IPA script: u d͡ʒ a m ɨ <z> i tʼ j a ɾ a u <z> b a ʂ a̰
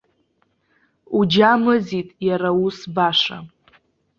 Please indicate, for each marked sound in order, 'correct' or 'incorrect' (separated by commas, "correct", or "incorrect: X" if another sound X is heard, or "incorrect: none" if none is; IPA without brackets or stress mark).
correct, incorrect: s